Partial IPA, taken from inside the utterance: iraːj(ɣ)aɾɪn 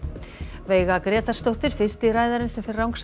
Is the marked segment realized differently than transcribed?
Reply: yes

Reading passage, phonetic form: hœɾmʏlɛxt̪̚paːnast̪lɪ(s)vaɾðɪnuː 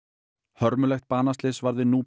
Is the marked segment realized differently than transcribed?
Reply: no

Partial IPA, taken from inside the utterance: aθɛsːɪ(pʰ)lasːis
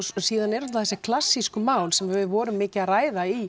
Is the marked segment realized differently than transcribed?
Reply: yes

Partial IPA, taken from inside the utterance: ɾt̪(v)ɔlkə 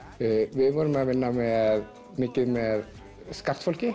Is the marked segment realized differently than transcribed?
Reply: yes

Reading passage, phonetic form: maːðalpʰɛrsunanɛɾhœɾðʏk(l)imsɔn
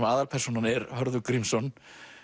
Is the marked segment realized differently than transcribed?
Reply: yes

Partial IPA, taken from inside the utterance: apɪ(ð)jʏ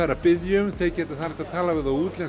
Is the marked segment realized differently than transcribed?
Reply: no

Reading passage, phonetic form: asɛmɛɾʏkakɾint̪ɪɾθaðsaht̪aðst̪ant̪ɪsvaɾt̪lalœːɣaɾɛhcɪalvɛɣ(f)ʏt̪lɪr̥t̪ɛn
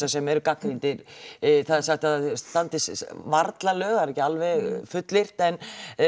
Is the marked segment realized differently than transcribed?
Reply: no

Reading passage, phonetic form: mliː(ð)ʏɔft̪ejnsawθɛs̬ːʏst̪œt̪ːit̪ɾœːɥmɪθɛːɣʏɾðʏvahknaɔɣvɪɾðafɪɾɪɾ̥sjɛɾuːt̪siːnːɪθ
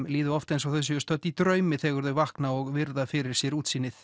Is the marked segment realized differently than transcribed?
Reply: no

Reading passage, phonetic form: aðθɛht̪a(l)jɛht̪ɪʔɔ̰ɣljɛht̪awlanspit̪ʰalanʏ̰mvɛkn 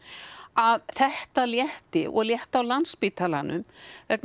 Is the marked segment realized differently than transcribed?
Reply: no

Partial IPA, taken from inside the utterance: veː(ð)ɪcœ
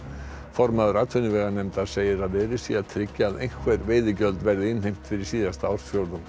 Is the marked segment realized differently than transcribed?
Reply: no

